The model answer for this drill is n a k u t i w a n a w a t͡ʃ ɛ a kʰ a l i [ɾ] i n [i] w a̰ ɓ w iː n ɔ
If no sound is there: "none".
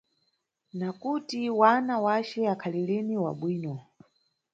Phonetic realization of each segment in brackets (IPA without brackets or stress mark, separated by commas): l, i